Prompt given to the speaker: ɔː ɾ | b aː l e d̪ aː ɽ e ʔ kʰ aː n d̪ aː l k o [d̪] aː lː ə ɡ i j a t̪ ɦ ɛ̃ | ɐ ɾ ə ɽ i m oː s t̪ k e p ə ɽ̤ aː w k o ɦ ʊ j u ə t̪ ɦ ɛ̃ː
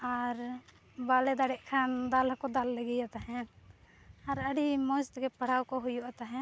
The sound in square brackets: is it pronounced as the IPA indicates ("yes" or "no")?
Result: yes